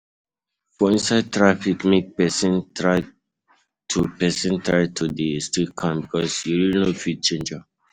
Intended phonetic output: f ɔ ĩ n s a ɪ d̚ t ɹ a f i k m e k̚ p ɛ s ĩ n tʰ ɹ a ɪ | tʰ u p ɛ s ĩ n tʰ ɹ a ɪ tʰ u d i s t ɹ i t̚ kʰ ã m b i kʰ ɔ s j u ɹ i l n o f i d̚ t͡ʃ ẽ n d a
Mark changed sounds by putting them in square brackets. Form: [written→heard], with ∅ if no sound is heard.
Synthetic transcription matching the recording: f ɔ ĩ n s a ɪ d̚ t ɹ a f i k m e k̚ p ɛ s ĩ n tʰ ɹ a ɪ | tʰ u p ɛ s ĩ n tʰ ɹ a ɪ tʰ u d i s t ɹ i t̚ kʰ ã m b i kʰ ɔ s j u ɹ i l n o f i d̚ t͡ʃ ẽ n [d→d͡ʒ] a